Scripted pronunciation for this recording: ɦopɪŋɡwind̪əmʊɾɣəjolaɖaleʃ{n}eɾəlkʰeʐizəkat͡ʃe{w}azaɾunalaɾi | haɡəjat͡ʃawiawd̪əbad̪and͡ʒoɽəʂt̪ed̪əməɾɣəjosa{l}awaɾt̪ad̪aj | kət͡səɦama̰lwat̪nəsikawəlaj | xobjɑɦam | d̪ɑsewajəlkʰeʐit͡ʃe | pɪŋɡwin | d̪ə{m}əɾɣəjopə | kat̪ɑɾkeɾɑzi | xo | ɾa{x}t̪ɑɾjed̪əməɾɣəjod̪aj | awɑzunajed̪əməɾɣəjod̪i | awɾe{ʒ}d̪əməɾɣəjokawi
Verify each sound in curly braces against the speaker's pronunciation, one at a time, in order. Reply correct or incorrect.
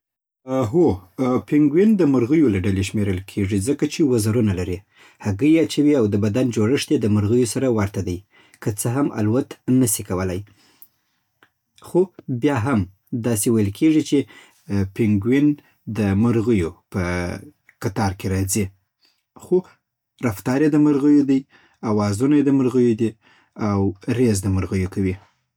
incorrect, correct, incorrect, correct, incorrect, incorrect

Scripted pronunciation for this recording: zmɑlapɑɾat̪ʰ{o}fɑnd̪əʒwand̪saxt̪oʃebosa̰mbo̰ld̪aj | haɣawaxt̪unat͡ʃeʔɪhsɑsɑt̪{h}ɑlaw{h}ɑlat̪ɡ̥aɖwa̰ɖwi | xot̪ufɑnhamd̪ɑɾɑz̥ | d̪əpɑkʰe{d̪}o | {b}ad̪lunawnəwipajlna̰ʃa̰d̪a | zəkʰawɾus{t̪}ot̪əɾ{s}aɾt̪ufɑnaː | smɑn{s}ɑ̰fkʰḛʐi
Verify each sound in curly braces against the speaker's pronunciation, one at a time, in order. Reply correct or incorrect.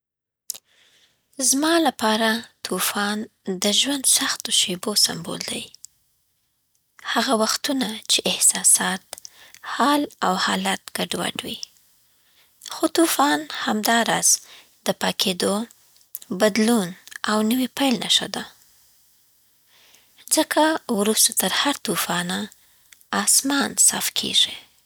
incorrect, correct, correct, correct, correct, correct, incorrect, correct

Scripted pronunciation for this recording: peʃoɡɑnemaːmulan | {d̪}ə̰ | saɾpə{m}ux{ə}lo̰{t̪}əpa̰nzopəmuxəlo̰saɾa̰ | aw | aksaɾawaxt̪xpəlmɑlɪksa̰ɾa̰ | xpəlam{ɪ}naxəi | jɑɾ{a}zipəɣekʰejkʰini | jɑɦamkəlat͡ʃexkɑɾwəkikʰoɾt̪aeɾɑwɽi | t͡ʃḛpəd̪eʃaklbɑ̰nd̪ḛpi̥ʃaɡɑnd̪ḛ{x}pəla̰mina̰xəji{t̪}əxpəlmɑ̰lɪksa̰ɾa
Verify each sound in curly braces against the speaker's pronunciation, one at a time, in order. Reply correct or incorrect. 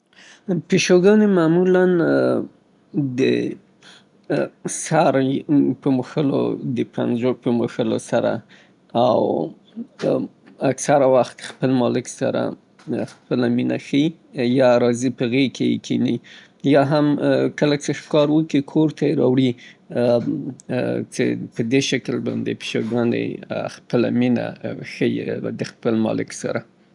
correct, correct, correct, incorrect, incorrect, incorrect, correct, incorrect

